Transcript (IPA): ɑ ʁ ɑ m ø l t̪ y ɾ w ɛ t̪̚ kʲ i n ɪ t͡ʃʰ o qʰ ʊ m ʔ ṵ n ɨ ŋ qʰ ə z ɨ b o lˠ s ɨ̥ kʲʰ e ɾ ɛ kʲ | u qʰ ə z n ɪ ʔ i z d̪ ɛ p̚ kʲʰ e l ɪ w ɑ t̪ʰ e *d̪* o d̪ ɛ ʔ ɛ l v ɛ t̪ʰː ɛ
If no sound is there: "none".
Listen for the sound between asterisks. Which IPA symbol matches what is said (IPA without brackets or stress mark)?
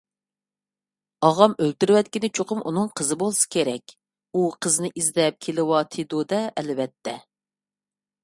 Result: d̪